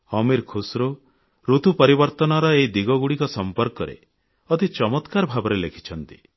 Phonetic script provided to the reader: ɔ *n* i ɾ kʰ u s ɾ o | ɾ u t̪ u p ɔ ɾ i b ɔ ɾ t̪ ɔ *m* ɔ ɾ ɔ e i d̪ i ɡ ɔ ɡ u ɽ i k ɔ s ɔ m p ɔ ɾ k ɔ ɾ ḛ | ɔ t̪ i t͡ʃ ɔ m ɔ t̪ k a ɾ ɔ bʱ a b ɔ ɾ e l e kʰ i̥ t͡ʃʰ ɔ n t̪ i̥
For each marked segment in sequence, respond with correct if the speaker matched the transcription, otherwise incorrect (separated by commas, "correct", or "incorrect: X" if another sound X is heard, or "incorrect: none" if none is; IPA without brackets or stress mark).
incorrect: m, incorrect: n